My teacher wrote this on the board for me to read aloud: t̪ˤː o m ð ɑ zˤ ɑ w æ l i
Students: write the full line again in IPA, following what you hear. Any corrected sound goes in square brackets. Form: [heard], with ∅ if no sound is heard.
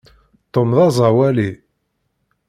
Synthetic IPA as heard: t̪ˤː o m ð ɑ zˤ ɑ w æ l i